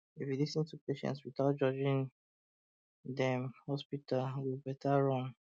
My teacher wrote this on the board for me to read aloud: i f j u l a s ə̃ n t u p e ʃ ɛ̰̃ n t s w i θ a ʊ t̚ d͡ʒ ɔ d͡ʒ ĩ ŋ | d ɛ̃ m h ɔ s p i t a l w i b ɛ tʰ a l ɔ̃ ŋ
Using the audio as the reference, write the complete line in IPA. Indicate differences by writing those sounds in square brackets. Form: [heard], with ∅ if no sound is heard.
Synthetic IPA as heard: i f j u l [i] s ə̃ n t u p e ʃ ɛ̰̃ n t s w i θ a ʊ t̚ d͡ʒ ɔ d͡ʒ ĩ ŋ | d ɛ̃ m h ɔ s p i t a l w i b ɛ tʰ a [ɹ] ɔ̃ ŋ